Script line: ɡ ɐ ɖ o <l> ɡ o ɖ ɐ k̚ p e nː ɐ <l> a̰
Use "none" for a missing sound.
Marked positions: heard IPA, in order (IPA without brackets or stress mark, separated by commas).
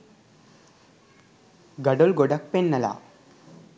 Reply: l, l